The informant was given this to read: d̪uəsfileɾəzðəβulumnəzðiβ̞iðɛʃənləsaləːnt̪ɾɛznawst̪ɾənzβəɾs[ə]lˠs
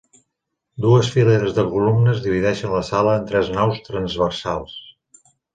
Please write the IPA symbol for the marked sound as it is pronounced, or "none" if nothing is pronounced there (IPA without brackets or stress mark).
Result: a